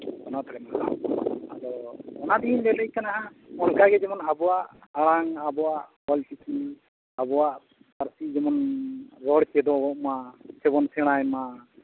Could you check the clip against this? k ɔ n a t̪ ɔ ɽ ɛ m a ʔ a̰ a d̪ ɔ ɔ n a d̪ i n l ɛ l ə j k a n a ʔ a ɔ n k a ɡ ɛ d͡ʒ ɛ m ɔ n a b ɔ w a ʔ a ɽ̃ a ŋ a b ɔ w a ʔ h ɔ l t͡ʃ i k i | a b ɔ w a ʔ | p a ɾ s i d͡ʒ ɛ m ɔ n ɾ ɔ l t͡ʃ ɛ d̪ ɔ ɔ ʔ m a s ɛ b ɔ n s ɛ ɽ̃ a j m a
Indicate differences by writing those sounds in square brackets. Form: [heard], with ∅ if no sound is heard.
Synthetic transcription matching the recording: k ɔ n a t̪ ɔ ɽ ɛ m a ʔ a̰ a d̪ ɔ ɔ n a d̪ i n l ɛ l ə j k a n a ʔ a ɔ n k a ɡ ɛ d͡ʒ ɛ m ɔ n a b ɔ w a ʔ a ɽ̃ a ŋ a b ɔ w a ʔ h ɔ l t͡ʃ i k i | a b ɔ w a ʔ | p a ɾ s i d͡ʒ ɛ m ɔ n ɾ ɔ [ɽ] t͡ʃ ɛ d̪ ɔ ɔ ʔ m a s ɛ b ɔ n s ɛ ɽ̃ a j m a